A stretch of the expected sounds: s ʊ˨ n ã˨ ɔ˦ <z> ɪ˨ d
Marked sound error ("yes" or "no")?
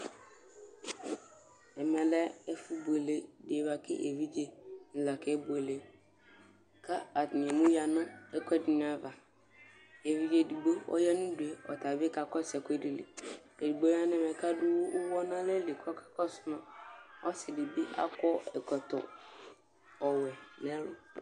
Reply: yes